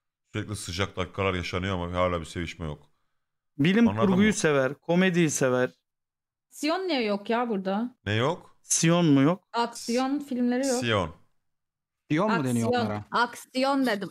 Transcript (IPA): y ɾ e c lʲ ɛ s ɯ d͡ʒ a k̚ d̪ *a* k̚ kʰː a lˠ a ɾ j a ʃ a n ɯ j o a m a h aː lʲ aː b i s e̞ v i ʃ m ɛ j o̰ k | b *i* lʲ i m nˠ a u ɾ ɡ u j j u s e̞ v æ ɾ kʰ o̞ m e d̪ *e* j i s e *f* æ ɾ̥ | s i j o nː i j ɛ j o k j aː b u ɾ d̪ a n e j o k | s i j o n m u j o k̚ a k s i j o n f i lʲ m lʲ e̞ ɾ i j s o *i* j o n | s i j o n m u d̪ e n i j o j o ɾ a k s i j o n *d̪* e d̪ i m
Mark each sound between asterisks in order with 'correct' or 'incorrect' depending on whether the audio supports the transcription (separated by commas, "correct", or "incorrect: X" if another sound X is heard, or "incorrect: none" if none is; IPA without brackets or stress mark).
correct, correct, incorrect: i, incorrect: v, correct, correct